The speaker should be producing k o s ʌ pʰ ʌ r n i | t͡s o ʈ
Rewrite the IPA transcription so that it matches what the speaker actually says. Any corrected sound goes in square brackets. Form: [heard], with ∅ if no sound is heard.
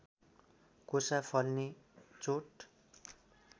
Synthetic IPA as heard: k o s [a] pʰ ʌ [l] n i | t͡s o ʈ